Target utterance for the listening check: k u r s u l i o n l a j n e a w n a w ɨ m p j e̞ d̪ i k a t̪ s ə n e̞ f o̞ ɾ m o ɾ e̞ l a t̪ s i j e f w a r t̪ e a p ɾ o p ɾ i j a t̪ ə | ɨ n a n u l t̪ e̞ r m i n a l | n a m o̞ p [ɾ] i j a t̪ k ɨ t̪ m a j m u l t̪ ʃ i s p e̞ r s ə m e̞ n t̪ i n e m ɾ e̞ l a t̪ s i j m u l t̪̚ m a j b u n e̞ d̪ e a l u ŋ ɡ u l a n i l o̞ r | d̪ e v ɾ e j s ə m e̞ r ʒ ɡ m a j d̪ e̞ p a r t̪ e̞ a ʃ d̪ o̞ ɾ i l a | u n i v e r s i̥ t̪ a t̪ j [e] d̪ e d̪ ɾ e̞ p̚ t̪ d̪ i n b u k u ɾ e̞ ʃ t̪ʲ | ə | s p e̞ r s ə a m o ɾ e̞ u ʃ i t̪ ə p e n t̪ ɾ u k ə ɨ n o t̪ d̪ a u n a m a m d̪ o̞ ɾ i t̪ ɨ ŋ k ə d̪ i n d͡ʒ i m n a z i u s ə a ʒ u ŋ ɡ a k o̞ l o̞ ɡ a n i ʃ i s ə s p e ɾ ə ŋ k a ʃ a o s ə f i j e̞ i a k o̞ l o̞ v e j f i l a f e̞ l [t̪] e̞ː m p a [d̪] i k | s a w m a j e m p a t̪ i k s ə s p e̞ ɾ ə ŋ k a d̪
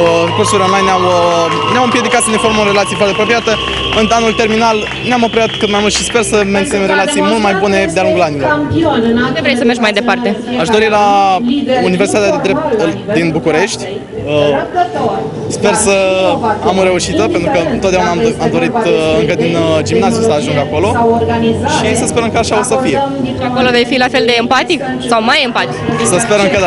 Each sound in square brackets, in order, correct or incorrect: correct, incorrect, incorrect, incorrect

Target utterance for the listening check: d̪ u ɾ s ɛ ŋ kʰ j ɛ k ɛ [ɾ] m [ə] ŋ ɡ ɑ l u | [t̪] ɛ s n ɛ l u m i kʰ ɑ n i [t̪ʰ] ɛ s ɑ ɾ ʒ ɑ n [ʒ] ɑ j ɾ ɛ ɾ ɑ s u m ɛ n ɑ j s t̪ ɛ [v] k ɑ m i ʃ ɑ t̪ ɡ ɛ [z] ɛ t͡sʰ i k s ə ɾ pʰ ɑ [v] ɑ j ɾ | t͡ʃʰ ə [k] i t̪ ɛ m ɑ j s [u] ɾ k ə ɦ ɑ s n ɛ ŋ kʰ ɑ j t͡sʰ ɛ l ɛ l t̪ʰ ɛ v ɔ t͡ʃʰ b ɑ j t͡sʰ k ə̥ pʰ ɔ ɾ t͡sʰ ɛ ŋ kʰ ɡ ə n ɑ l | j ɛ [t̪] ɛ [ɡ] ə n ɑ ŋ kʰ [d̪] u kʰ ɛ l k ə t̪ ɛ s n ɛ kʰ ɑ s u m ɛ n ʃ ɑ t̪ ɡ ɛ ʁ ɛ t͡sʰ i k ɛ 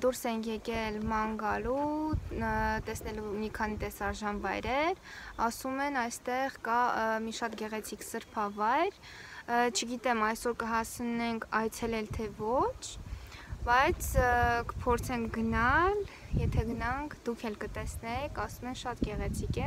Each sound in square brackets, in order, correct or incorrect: incorrect, incorrect, correct, incorrect, incorrect, incorrect, incorrect, correct, incorrect, incorrect, incorrect, correct, correct

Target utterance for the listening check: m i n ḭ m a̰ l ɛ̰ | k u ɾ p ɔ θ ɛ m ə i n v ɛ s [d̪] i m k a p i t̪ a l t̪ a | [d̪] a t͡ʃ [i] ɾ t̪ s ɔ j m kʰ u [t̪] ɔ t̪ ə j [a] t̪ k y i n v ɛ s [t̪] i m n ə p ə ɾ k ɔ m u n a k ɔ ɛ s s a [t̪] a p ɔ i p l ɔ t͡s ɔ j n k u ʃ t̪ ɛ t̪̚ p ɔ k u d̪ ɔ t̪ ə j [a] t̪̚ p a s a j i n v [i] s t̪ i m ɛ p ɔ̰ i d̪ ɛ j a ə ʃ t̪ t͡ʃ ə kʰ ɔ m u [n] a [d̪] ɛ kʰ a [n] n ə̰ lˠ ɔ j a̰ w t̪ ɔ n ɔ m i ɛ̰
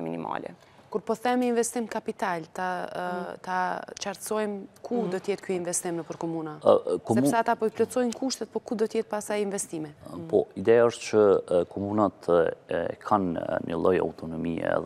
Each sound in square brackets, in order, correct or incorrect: incorrect, incorrect, incorrect, incorrect, incorrect, correct, correct, incorrect, incorrect, correct, incorrect, correct

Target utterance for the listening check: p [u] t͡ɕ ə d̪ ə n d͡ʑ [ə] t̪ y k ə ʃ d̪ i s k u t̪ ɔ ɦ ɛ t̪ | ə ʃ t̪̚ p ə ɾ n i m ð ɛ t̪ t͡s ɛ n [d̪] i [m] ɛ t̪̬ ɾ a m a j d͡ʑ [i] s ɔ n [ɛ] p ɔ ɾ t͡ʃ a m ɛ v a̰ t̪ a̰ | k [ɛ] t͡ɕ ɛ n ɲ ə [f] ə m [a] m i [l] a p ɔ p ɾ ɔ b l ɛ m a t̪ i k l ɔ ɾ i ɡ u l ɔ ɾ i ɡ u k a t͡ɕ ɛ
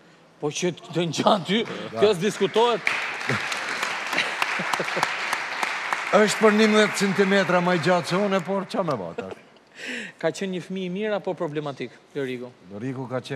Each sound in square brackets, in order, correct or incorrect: incorrect, incorrect, incorrect, correct, incorrect, correct, incorrect, correct, incorrect, incorrect

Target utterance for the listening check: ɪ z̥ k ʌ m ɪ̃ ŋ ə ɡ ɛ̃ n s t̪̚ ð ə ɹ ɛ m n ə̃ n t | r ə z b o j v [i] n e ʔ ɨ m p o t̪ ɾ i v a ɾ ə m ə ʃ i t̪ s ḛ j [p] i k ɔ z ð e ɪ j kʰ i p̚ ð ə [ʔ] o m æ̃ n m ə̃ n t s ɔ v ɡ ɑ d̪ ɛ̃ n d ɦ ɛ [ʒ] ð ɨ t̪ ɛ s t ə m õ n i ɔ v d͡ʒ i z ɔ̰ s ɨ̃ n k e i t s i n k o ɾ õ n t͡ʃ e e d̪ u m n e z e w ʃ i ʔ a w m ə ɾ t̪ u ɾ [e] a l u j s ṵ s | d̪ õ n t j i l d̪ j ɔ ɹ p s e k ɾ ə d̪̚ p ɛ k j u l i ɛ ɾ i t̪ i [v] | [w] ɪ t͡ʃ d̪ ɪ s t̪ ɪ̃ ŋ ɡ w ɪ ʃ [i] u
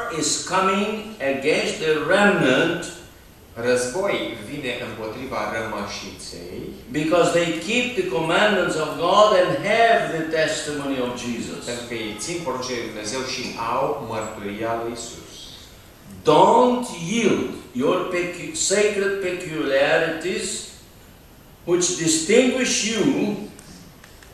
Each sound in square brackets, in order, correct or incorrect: correct, incorrect, incorrect, incorrect, incorrect, incorrect, correct, incorrect

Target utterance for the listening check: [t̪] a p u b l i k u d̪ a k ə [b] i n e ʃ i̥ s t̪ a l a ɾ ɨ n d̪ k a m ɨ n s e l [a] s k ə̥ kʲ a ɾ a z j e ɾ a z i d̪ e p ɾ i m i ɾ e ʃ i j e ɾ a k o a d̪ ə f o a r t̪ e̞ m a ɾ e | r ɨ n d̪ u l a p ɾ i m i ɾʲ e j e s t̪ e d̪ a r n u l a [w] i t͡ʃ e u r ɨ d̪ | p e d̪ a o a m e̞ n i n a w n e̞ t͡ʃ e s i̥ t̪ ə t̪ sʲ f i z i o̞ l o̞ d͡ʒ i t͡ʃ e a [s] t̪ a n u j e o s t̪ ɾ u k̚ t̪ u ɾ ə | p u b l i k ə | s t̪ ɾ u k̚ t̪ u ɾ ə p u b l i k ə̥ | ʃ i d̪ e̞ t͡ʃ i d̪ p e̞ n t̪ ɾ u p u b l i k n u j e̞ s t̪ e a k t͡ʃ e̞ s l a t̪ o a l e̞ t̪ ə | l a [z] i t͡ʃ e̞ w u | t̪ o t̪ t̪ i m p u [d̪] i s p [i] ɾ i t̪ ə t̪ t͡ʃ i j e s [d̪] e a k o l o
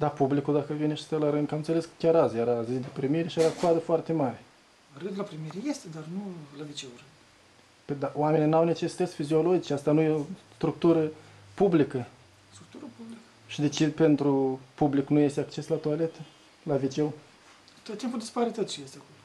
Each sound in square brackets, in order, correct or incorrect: incorrect, incorrect, incorrect, incorrect, correct, incorrect, correct, incorrect, incorrect

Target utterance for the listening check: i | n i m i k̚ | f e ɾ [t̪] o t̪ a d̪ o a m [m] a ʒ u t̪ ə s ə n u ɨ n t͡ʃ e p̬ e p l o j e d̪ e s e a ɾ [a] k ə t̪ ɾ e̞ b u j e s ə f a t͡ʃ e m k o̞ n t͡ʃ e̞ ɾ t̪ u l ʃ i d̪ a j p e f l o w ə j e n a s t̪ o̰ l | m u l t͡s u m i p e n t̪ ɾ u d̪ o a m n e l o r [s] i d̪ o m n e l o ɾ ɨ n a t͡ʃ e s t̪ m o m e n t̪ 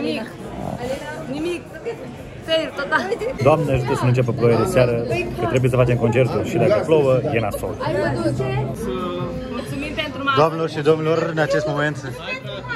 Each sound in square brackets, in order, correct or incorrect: correct, incorrect, incorrect, incorrect

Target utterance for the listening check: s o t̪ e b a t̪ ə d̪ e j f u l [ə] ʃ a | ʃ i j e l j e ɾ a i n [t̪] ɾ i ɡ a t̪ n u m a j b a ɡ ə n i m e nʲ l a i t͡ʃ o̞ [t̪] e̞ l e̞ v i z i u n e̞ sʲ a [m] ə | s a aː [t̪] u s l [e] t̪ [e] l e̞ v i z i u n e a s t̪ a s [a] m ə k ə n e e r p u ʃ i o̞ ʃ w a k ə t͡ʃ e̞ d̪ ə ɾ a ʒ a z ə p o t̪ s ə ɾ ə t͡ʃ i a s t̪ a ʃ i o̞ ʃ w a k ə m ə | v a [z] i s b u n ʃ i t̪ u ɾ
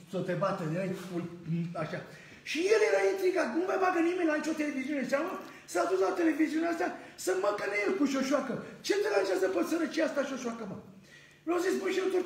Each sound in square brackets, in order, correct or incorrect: incorrect, correct, correct, correct, incorrect, incorrect, correct, incorrect, correct

